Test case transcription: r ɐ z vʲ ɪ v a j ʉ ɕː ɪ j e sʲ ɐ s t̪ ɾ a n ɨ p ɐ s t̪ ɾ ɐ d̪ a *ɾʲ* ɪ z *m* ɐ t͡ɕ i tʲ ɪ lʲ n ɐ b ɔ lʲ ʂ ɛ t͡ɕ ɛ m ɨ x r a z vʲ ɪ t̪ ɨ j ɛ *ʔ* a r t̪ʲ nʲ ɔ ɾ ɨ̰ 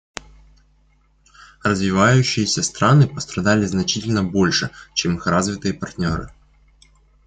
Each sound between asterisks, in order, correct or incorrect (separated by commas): incorrect, incorrect, incorrect